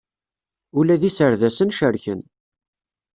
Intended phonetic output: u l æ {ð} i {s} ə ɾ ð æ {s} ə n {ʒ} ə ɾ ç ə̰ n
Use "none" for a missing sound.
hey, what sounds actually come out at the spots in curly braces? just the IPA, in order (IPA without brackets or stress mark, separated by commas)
ð, s, s, ʃ